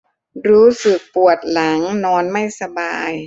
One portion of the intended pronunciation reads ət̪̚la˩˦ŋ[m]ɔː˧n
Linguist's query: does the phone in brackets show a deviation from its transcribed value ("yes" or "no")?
yes